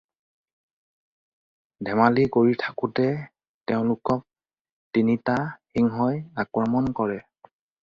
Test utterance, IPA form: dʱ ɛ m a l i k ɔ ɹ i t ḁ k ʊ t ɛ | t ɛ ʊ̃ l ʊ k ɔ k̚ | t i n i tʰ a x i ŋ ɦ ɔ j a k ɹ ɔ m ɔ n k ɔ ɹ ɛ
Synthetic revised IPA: dʱ ɛ m a l i k o ɹ i tʰ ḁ k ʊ t ɛ | t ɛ ʊ̃ l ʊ k ɔ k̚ | t i n i t a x i ŋ ɦ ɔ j a k ɹ ɔ m ɔ n k ɔ ɹ ɛ